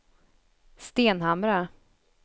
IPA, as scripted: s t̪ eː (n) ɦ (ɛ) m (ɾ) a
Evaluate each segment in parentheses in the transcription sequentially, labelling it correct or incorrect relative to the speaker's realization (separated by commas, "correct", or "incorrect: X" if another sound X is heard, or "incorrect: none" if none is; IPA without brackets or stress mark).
correct, incorrect: a, correct